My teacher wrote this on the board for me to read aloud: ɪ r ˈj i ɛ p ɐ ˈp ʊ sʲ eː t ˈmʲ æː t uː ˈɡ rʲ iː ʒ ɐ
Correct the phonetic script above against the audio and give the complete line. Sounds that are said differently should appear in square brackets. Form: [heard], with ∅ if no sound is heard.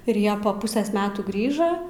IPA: ɪ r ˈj i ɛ p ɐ ˈp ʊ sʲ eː [s] ˈmʲ æː t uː ˈɡ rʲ iː ʒ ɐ